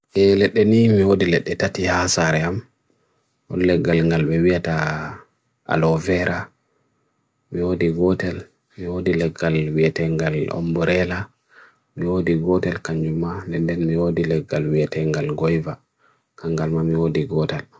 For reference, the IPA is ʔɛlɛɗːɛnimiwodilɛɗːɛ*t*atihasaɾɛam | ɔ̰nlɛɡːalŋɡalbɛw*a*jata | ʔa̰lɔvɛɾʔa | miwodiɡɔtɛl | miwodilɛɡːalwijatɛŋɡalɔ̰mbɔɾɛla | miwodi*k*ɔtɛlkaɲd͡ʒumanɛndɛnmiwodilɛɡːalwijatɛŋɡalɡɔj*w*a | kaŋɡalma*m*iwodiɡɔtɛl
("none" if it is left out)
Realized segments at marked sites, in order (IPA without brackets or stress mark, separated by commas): t, i, ɡ, v, m